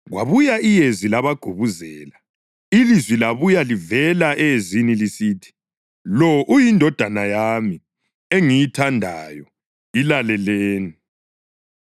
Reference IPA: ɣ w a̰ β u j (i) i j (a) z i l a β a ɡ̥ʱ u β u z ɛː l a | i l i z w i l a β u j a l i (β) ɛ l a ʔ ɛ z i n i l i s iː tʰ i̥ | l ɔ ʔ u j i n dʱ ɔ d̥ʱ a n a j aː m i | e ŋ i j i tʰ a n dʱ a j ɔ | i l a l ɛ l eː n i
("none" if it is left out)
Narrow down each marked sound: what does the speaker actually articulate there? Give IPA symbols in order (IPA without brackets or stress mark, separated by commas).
a, e, v